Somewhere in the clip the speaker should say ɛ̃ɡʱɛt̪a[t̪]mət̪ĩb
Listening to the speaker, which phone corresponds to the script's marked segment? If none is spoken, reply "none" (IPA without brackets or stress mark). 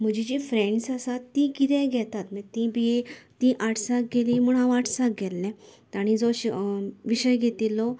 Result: t̪